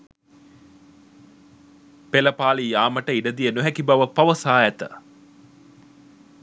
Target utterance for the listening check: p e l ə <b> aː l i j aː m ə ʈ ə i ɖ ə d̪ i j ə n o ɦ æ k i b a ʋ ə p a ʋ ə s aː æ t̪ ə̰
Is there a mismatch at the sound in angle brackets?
yes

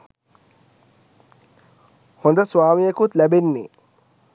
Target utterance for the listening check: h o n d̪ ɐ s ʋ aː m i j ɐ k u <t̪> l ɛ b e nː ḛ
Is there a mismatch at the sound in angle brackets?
no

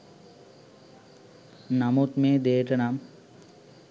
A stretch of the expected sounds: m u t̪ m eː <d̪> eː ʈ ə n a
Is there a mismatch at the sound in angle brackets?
no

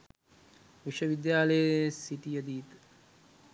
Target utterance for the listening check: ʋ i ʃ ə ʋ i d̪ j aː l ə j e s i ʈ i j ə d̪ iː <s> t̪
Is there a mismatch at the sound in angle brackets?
yes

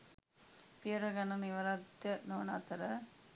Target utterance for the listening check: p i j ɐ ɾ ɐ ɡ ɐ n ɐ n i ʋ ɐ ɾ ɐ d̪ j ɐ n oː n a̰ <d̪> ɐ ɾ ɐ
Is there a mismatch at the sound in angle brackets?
yes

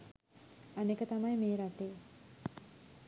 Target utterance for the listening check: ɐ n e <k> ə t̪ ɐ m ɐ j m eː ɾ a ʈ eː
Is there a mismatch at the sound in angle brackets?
no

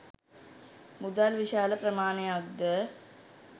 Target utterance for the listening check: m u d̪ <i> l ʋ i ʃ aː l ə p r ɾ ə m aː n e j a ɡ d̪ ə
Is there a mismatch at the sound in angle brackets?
yes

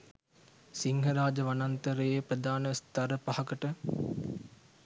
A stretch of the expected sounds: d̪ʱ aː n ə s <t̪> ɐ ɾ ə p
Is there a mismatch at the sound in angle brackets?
no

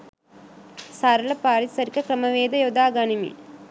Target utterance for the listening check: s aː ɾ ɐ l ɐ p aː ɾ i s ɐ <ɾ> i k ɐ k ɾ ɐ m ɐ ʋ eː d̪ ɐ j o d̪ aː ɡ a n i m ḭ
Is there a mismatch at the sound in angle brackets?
no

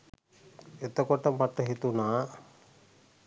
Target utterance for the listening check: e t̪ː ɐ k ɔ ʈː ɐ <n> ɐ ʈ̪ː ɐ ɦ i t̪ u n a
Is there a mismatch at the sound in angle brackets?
yes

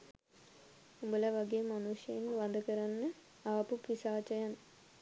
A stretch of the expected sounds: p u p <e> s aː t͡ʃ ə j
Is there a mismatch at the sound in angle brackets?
yes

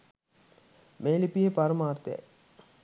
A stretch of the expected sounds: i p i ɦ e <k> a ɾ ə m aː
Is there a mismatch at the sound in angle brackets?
yes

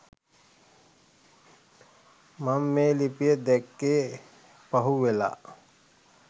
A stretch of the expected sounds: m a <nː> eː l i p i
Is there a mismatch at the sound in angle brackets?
yes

